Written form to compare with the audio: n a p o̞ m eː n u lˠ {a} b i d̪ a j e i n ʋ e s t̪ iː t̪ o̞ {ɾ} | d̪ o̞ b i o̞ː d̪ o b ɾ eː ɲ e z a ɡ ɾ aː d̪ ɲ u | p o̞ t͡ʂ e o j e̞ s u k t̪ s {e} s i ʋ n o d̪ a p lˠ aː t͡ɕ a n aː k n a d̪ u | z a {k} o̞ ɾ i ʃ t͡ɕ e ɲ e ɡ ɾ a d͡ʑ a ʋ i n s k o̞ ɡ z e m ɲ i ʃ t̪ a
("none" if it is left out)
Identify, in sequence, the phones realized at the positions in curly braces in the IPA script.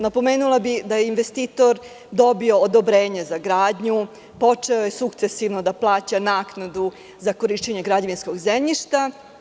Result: a, ɾ, e, k

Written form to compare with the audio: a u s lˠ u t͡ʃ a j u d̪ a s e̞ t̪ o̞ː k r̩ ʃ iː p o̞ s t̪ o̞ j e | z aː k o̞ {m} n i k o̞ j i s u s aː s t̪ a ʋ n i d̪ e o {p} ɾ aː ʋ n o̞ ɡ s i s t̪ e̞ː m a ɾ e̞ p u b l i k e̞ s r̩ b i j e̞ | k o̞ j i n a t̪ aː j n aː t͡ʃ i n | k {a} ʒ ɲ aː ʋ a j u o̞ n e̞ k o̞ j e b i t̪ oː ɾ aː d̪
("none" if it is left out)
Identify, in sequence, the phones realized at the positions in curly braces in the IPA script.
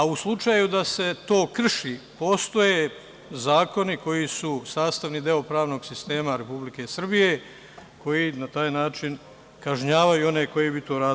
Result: none, p, a

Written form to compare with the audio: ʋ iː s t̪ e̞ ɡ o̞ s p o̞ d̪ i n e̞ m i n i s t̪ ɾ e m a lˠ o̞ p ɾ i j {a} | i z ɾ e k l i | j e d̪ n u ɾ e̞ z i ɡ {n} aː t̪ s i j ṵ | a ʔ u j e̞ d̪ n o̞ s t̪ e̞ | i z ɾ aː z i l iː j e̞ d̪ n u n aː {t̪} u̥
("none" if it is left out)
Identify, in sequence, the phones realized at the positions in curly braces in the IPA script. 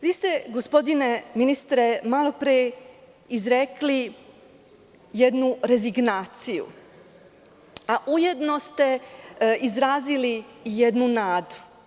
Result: e, n, d̪

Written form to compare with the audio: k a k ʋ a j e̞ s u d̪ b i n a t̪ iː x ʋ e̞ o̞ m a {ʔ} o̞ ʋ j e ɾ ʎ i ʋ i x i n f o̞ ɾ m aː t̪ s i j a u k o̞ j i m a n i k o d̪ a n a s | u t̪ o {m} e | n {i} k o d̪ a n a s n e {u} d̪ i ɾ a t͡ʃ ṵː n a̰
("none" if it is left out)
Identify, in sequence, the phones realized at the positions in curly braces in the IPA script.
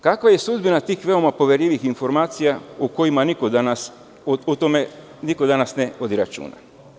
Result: p, m, i, o

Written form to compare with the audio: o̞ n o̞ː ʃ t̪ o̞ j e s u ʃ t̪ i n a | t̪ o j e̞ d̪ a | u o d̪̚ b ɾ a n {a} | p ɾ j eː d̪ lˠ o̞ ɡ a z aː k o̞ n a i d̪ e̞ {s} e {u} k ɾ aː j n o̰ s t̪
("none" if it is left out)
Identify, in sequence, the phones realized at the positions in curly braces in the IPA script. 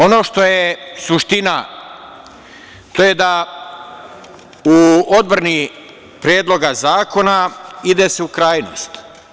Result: i, s, u

